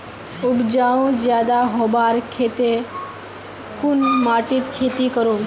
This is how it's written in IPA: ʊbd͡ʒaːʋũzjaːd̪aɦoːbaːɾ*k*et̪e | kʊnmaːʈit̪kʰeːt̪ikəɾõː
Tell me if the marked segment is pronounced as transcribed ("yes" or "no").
no